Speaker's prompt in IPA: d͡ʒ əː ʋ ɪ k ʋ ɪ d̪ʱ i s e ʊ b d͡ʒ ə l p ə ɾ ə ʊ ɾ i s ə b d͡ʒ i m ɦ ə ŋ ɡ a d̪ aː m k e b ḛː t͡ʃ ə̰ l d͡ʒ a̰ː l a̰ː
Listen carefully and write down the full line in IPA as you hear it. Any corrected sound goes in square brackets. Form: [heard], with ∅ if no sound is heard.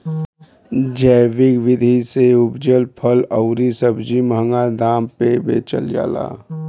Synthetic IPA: d͡ʒ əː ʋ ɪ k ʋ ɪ d̪ʱ i s e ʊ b d͡ʒ ə l [pʰ] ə [l] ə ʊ ɾ i s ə b d͡ʒ i m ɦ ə ŋ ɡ a d̪ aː m [p] e b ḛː t͡ʃ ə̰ l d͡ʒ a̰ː l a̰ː